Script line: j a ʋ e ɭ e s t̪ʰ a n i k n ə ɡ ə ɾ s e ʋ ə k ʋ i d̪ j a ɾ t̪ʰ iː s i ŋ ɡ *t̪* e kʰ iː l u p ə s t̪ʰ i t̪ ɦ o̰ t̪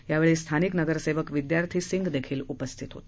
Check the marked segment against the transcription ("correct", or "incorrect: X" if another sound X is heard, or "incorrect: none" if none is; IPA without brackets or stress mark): incorrect: d̪